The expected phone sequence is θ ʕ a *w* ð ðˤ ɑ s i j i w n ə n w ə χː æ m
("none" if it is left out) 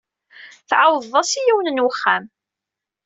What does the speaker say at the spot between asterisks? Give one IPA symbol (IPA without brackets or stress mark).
w